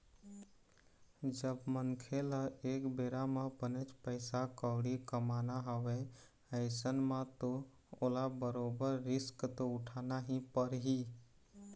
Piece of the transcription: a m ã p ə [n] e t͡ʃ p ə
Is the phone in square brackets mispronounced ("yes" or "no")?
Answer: no